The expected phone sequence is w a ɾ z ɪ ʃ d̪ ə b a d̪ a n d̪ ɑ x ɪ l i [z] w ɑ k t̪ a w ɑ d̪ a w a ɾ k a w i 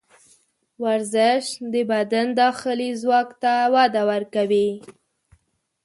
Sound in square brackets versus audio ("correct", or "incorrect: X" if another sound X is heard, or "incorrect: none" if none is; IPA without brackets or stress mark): correct